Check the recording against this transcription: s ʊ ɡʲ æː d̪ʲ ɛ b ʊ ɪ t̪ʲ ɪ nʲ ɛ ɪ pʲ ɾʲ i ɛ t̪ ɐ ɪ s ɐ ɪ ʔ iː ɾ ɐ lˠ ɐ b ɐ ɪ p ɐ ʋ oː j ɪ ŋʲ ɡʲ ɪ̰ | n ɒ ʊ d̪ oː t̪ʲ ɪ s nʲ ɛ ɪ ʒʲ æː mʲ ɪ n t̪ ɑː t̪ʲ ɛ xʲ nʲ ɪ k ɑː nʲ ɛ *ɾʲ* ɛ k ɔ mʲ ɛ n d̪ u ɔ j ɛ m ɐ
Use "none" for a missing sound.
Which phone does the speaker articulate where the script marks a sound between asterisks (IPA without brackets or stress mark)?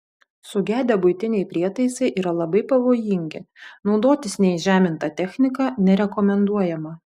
ɾʲ